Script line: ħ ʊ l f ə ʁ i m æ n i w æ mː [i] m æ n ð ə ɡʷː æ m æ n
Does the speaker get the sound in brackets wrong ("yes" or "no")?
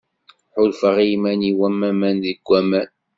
yes